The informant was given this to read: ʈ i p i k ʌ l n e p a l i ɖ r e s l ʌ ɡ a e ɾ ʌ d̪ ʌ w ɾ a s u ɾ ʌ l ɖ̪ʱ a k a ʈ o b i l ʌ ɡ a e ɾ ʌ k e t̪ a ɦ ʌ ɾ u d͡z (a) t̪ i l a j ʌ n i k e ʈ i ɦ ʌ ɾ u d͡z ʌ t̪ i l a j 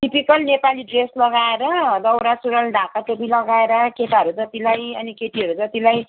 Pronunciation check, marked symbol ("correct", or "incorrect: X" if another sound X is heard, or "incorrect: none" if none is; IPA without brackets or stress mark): incorrect: ʌ